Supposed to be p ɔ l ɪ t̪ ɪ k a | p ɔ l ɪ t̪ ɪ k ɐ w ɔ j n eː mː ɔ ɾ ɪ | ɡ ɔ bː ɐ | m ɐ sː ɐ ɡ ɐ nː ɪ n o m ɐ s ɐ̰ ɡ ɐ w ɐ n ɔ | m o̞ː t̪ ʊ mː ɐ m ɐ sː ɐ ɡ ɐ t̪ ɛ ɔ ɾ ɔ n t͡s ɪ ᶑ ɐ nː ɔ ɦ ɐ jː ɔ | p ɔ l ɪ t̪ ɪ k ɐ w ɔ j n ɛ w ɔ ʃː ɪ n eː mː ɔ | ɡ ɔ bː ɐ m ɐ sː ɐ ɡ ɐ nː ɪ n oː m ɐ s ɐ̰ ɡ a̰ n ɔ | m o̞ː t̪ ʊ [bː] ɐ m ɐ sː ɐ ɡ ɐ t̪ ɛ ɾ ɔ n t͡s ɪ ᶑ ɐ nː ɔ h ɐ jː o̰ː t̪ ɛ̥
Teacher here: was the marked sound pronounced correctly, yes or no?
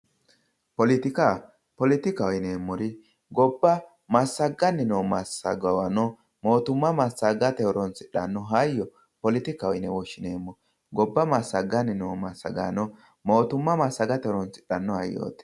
no